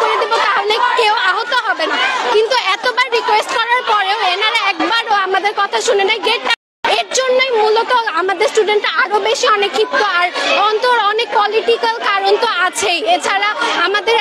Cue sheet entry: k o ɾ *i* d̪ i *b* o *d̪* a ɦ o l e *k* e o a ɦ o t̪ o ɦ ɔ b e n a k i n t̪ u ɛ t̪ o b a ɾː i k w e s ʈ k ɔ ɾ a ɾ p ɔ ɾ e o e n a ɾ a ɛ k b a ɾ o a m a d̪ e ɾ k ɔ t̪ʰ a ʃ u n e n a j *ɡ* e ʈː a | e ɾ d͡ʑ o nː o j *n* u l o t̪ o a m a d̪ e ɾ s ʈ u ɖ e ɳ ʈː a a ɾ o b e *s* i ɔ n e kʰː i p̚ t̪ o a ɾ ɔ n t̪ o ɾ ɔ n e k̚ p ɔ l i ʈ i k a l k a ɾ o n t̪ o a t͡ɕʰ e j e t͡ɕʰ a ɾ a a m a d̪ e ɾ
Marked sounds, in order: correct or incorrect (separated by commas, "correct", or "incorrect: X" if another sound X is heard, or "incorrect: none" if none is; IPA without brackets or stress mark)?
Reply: incorrect: e, correct, incorrect: t̪, correct, correct, incorrect: m, incorrect: ʃ